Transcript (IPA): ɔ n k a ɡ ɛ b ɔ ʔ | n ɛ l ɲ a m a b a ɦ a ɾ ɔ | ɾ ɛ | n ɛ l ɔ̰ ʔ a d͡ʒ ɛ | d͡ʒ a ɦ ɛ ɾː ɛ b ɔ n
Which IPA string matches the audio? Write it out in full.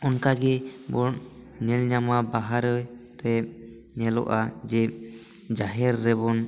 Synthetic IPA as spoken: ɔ n k a ɡ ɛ b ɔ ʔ | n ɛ l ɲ a m a b a ɦ a ɾ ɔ | ɾ ɛ | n ɛ l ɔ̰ ʔ a d͡ʒ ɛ | d͡ʒ a ɦ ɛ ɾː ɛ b ɔ n